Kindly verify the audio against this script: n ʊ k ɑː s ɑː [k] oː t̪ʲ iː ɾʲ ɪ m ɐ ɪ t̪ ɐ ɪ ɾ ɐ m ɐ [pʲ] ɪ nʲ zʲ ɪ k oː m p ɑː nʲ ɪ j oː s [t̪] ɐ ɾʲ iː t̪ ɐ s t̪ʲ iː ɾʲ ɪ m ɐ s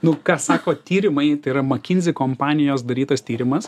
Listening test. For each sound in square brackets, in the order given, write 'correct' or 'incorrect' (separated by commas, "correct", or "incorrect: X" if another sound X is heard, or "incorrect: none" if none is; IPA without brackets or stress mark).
correct, incorrect: kʲ, incorrect: d̪